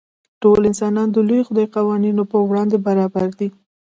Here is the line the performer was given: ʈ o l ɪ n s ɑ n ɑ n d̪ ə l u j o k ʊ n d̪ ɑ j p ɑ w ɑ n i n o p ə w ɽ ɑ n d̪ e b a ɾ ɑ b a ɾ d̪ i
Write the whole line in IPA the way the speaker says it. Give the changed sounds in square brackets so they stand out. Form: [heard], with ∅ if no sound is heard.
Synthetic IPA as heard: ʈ o l ɪ n s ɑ n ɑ n d̪ ə l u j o [x] ʊ [∅] d̪ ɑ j [q] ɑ w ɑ n i n o p ə w ɽ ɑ n d̪ e b a ɾ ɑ b a ɾ d̪ i